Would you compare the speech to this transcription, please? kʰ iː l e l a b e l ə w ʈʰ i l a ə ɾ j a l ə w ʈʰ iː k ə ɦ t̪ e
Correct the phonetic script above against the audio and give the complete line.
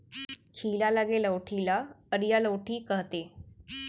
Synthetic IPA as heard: kʰ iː l a l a ɡ e l ə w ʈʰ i l a ə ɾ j a l ə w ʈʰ iː k ə ɦ t̪ e